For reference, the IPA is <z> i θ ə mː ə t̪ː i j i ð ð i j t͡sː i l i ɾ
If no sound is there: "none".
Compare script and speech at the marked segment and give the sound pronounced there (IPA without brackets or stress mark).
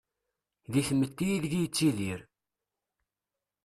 ð